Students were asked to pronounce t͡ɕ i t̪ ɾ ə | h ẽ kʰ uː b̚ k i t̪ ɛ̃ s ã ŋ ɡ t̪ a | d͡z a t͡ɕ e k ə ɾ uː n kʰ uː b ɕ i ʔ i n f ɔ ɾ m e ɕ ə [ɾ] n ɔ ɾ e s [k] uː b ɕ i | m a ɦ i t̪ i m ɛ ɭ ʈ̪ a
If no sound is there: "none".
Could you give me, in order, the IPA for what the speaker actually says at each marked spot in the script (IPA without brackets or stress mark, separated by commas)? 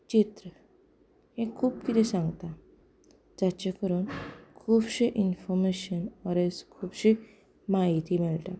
none, kʰ